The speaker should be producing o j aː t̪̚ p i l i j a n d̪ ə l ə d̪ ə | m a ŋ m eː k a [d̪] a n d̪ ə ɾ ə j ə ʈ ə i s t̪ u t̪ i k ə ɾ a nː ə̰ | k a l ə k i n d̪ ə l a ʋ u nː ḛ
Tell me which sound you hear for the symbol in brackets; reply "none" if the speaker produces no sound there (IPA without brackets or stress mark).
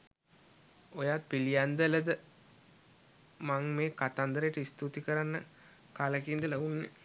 t̪